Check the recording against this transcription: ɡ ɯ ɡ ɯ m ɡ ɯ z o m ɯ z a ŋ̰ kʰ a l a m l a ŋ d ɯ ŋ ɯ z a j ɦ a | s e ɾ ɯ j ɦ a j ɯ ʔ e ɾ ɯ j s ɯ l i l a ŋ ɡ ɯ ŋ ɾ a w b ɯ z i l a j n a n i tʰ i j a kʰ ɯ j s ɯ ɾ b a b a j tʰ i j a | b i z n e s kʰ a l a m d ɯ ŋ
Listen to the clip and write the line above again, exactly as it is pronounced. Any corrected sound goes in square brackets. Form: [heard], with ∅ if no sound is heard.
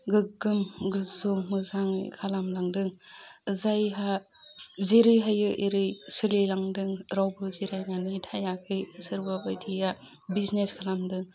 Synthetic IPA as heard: ɡ ɯ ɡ ɯ m ɡ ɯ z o m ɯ z a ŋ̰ kʰ a l a m l a ŋ d ɯ ŋ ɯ z a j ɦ a | [z] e ɾ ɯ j ɦ a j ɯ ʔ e ɾ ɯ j s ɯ l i l a ŋ [d] ɯ ŋ ɾ a w b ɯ z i [ɾ] a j n a n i tʰ [a] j a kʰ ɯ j s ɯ ɾ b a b a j tʰ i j a | b i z n e s kʰ a l a m d ɯ ŋ

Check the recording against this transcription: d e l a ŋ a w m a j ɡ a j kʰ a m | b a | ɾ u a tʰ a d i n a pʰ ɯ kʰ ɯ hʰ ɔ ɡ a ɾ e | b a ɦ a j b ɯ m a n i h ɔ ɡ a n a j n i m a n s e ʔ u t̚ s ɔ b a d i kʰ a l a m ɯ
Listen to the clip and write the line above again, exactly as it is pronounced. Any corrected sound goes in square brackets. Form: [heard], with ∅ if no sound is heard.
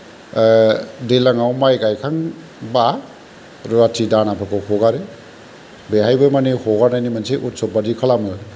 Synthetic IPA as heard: d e l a ŋ a w m a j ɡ a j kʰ a [ŋ] | b a | ɾ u a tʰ [i] d [a] n a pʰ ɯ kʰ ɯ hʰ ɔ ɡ a ɾ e | b [e] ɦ a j b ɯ m a n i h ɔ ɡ a n a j n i m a n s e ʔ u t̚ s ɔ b a d i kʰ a l a m ɯ

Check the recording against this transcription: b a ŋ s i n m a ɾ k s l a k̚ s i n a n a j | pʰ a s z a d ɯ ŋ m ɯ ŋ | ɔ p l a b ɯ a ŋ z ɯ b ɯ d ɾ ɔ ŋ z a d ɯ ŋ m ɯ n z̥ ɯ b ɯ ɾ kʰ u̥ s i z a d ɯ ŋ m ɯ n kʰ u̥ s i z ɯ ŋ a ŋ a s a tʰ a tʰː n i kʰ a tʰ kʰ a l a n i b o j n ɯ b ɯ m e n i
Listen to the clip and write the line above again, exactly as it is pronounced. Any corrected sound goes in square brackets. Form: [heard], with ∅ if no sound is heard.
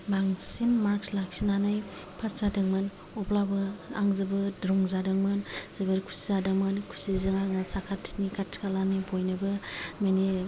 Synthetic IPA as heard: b a ŋ s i n m a ɾ k s l a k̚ s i n a n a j | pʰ a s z a d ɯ ŋ m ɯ [n] | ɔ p l a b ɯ a ŋ z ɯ b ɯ d ɾ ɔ ŋ z a d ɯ ŋ m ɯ n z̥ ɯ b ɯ ɾ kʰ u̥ s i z a d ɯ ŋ m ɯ n kʰ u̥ s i z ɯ ŋ a ŋ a s a [kʰ] a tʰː n i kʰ a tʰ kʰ a l a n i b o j n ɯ b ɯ m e n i

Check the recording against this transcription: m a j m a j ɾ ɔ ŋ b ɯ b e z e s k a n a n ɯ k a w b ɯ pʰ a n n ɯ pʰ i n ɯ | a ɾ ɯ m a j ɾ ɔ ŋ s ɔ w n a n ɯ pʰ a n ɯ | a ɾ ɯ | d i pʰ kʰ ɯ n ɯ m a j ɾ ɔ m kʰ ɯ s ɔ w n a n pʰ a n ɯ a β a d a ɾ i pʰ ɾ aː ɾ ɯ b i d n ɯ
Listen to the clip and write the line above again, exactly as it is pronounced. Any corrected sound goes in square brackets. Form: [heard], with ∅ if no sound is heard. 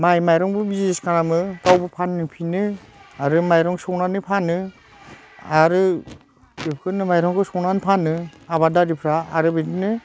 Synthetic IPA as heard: m a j m a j ɾ ɔ ŋ b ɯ b [i] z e s k a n a [m] ɯ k a w b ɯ pʰ a n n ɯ pʰ i n ɯ | a ɾ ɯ m a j ɾ ɔ ŋ s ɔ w n a n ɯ pʰ a n ɯ | a ɾ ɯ | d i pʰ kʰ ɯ n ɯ m a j ɾ ɔ [ŋ] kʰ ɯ s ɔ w n a n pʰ a n ɯ a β a d a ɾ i pʰ ɾ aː ɾ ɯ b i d n ɯ

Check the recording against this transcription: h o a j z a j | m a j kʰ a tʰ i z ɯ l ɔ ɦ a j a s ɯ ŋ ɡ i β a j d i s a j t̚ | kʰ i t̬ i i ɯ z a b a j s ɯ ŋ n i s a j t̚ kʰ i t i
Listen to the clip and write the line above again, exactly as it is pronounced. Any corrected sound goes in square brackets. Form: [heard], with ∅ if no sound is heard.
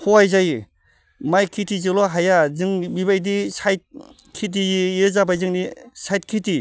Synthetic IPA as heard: h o a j z a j | m a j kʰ [i] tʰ i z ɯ l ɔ ɦ a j a [z] ɯ ŋ [b] i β a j d i s a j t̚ | kʰ i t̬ i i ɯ z a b a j [z] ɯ ŋ n i s a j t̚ kʰ i t i

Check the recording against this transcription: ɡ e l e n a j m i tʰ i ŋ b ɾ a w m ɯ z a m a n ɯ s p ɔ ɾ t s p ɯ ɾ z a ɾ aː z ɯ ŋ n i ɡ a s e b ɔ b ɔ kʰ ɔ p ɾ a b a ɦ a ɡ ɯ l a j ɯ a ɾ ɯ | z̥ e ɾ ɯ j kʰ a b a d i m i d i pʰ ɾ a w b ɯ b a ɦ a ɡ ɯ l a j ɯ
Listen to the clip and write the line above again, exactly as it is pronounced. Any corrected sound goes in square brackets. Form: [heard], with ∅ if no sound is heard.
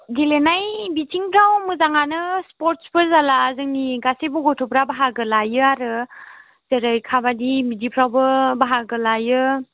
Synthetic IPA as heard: ɡ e l e n a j [b] i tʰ i ŋ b ɾ a w m ɯ z a [ŋ] a n ɯ s p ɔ ɾ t s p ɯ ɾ z a [l] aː z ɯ ŋ n i ɡ a s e b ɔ [ɡ] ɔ [tʰ] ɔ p ɾ a b a ɦ a ɡ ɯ l a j ɯ a ɾ ɯ | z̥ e ɾ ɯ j kʰ a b a d i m i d i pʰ ɾ a w b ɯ b a ɦ a ɡ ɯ l a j ɯ

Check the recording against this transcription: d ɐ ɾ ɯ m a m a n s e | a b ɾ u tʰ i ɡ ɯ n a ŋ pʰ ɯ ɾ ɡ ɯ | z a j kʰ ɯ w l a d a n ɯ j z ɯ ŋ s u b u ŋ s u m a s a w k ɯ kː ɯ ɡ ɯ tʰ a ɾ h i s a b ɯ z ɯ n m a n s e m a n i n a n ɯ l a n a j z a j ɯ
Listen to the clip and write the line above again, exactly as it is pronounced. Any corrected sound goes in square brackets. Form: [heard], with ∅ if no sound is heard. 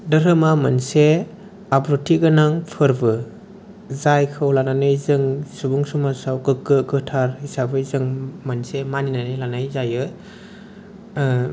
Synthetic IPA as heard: d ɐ ɾ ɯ m a m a n s e | a b ɾ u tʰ i ɡ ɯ n a ŋ pʰ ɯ ɾ [b] ɯ | z a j kʰ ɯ w l a [n] a n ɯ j z ɯ ŋ s u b u ŋ s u m a s a w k ɯ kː ɯ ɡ ɯ tʰ a ɾ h i s a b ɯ z ɯ [ŋ] m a n s e m a n i n a n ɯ l a n a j z a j ɯ

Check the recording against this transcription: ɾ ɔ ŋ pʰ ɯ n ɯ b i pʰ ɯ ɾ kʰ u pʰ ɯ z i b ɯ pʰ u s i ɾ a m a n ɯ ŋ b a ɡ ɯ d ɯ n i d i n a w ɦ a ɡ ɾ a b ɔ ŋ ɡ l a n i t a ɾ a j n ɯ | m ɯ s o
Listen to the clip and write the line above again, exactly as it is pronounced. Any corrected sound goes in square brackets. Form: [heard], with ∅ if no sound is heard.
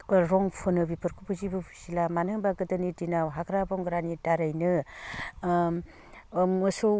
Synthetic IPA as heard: ɾ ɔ ŋ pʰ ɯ n ɯ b i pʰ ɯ ɾ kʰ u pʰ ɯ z i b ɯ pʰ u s i [l] a m a n ɯ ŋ b a ɡ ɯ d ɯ n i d i n a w ɦ a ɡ ɾ a b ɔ ŋ ɡ [ɾ] a n i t a ɾ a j n ɯ | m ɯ s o

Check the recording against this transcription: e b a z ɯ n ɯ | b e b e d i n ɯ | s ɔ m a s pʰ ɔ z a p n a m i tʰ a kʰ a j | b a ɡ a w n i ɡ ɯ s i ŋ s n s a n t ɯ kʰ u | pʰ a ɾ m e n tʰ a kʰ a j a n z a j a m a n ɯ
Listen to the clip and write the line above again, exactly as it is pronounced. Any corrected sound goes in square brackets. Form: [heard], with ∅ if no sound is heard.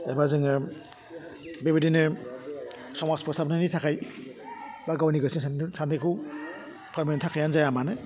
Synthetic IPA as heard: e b a z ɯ [ŋ] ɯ | b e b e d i n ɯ | s ɔ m a s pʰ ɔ [s] a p n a [n] i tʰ a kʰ a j | b a ɡ a w n i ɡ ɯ s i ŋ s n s a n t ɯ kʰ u | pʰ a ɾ m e n tʰ a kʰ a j a n z a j a m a n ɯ

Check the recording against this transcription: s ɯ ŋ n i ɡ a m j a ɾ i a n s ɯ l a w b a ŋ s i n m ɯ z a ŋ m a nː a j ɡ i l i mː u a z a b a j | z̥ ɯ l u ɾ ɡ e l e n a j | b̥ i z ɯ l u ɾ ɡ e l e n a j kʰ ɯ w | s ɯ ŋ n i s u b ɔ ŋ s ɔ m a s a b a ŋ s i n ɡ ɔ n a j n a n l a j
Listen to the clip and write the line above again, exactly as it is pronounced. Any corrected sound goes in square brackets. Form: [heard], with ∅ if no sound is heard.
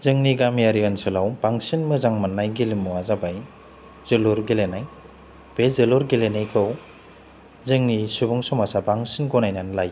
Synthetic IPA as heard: [z] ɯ ŋ n i ɡ a m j a ɾ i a n s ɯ l a w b a ŋ s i n m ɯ z a ŋ m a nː a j ɡ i l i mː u a z a b a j | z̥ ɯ l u ɾ ɡ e l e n a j | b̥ [e] z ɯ l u ɾ ɡ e l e n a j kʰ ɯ w | [z] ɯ ŋ n i s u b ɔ ŋ s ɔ m a s a b a ŋ s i n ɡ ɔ n a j n a n l a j

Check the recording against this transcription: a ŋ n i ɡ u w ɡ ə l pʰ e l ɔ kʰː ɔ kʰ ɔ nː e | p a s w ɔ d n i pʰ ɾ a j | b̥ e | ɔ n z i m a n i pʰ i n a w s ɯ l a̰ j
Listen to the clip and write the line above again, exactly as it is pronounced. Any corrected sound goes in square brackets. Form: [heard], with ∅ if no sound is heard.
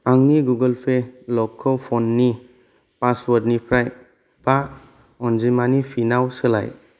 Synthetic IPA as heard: a ŋ n i ɡ u [∅] ɡ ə l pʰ e l ɔ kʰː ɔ [pʰ] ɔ nː [i] | p a s w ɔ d n i pʰ ɾ a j | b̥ [a] | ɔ n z i m a n i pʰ i n a w s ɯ l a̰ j

